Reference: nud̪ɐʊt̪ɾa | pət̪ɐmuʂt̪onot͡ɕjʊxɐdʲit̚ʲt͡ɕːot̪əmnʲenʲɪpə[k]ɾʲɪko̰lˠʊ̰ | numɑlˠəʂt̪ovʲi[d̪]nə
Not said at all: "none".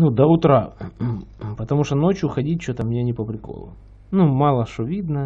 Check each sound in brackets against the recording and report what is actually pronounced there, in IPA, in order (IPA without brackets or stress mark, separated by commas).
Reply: p, d̪